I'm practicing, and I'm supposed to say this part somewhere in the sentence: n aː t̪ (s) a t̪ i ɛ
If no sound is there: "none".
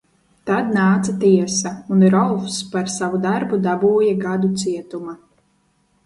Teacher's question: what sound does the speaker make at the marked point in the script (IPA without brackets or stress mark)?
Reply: s